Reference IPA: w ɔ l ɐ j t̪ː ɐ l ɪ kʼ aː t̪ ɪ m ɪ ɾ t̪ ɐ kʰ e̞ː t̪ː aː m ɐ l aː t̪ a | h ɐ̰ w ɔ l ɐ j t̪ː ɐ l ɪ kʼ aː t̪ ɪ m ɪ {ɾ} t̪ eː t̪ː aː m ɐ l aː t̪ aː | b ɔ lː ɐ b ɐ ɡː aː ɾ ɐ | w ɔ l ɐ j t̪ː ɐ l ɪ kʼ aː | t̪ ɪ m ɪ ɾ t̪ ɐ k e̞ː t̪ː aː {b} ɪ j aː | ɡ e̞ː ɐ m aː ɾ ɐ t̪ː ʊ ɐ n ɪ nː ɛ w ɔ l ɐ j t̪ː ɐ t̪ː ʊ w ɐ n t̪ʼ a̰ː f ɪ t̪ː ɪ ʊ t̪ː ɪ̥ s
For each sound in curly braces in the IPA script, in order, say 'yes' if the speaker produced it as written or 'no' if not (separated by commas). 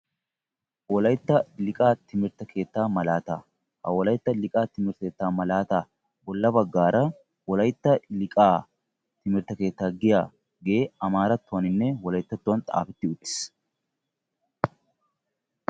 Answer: yes, no